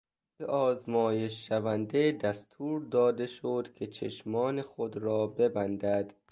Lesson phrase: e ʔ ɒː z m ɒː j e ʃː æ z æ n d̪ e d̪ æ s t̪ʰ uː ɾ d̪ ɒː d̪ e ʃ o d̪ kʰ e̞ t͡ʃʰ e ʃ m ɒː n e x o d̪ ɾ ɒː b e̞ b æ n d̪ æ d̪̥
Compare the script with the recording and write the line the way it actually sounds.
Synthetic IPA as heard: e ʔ ɒː z m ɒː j e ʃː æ v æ n d̪ e d̪ æ s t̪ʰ uː ɾ d̪ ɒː d̪ e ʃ o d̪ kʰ e̞ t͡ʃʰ e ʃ m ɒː n e x o d̪ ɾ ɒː b e̞ b æ n d̪ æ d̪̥